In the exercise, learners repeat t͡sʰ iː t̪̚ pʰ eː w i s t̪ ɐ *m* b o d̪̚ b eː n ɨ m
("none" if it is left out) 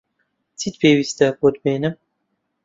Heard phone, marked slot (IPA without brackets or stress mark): none